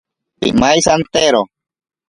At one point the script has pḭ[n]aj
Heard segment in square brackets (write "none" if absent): m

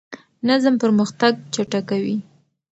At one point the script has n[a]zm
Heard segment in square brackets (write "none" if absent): a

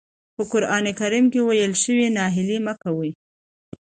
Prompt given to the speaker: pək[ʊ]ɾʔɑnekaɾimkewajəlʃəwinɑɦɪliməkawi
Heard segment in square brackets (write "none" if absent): ʊ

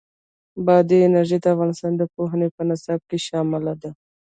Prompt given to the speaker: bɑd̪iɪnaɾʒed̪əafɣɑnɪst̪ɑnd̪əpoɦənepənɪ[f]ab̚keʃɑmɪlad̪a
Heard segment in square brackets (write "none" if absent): s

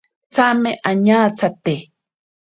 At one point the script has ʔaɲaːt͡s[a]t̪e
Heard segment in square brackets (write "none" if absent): a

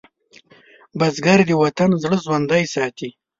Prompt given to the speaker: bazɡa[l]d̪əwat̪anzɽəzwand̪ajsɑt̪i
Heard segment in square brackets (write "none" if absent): ɾ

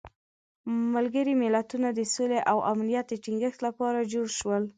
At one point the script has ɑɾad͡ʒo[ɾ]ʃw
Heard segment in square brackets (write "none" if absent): ɽ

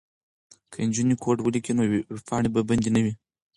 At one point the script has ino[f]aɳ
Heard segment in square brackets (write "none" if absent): f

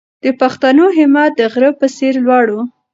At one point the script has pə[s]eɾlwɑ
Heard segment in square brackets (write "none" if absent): s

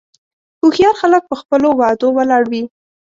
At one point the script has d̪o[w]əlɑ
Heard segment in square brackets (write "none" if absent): w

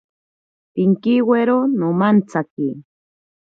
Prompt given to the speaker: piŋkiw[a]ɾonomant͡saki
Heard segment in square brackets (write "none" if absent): e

